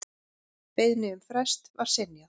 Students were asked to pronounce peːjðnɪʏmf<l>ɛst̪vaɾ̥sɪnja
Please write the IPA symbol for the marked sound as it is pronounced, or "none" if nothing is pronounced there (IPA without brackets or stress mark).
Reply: ɾ